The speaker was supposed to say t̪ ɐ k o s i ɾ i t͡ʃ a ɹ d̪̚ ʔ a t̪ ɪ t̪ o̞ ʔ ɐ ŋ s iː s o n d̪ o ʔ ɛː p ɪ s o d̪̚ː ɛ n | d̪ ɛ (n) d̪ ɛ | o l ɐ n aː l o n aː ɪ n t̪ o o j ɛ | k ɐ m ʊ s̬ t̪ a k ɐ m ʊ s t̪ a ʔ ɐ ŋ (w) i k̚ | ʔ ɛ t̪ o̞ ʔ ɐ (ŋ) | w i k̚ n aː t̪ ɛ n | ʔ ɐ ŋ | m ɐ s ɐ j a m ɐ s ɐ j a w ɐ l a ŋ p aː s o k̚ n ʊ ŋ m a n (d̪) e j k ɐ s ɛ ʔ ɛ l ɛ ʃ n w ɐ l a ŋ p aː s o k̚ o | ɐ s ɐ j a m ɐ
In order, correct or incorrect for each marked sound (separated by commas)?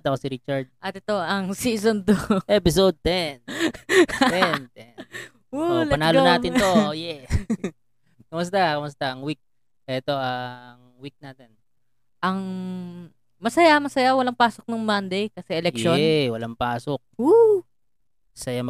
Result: correct, correct, correct, correct